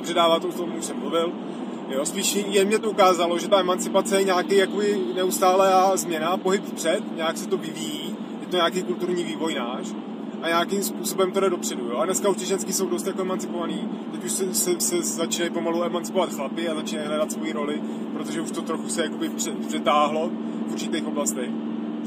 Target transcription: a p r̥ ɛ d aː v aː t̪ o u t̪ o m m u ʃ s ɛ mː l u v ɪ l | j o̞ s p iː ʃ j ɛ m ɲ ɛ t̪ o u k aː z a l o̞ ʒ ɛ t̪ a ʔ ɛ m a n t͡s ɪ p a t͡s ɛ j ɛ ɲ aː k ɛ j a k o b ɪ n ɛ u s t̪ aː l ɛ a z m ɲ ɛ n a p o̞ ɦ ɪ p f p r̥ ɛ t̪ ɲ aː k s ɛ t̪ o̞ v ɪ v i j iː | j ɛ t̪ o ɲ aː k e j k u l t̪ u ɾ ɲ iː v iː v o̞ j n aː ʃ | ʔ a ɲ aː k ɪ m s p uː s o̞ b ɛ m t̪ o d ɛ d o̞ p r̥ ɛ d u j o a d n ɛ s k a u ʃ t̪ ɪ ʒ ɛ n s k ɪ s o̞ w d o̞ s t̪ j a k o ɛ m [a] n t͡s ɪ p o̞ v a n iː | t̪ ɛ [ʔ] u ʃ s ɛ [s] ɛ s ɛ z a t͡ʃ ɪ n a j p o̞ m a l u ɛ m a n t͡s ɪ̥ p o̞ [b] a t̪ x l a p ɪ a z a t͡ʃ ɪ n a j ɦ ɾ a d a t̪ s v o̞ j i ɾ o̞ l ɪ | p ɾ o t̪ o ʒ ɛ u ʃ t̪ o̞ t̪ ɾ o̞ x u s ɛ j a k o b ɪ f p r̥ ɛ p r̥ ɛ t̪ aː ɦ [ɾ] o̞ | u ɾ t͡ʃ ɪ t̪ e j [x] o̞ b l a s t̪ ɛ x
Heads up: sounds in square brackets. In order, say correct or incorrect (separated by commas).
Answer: correct, incorrect, correct, incorrect, incorrect, correct